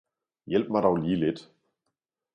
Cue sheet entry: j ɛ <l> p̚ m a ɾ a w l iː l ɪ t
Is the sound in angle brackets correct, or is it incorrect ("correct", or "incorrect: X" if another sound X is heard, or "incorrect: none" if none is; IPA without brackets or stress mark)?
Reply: correct